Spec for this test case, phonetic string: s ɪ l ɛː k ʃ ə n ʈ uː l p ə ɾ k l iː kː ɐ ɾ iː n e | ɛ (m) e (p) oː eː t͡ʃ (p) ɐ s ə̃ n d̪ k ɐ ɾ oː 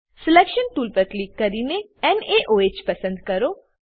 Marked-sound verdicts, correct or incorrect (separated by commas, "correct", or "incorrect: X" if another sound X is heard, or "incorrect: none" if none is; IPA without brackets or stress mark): incorrect: n, incorrect: ʔ, correct